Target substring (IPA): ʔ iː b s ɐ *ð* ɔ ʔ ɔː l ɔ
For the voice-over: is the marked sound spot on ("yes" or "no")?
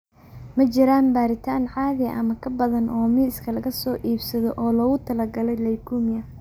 yes